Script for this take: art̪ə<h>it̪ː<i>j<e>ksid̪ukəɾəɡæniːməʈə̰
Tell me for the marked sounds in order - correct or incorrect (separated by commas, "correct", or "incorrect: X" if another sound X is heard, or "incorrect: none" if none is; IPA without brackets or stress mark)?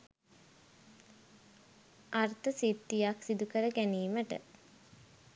incorrect: s, correct, incorrect: a